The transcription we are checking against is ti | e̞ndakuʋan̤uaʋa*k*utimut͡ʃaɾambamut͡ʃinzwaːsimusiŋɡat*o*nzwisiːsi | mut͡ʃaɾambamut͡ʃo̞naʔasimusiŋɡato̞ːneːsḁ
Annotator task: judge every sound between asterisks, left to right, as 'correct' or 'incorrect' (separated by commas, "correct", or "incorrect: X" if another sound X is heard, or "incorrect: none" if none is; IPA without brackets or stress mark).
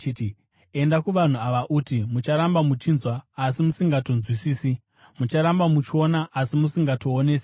incorrect: ʔ, correct